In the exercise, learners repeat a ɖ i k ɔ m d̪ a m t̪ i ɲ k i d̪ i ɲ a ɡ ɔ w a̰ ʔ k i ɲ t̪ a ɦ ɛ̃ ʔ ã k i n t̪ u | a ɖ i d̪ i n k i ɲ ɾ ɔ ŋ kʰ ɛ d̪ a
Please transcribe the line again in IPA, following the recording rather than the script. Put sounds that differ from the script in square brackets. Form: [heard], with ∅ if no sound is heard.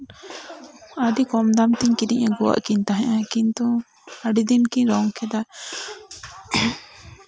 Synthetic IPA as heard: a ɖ i k ɔ m d̪ a m t̪ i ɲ k i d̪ i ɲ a ɡ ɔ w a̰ ʔ k i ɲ t̪ a ɦ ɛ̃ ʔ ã k i n t̪ u | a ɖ i d̪ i n k i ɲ ɾ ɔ ŋ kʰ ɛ d̪ a